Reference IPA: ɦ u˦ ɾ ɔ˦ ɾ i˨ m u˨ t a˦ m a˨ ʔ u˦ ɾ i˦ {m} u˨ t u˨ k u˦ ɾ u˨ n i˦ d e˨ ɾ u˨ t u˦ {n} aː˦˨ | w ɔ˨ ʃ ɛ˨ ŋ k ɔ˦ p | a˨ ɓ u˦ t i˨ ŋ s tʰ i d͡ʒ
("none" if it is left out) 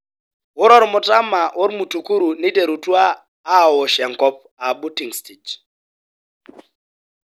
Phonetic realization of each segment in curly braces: m, none

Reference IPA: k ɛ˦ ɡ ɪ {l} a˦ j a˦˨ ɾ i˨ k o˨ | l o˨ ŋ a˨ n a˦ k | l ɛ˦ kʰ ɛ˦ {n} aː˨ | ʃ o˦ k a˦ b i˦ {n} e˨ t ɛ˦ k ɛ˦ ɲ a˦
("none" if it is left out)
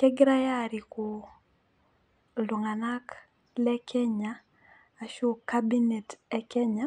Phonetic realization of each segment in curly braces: ɾ, ɲ, n

